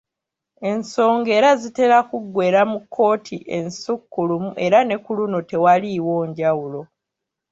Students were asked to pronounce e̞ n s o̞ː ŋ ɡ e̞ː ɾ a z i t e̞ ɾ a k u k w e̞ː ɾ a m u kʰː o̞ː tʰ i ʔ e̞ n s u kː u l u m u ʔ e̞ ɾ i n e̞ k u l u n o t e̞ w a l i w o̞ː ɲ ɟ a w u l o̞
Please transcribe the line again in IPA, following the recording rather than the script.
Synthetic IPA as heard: e̞ n s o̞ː ŋ ɡ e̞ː ɾ a z i t e̞ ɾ a k u ɡ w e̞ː ɾ a m u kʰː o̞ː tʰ i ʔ e̞ n s u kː u l u m u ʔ e̞ ɾ a n e̞ k u l u n o t e̞ w a l i w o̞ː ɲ ɟ a w u l o̞